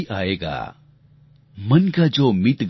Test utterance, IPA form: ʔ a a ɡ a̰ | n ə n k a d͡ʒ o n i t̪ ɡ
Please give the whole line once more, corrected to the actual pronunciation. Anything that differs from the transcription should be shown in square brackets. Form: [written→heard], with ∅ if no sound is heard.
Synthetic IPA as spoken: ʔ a [a→e] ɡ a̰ | [n→m] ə n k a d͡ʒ o [n→m] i t̪ ɡ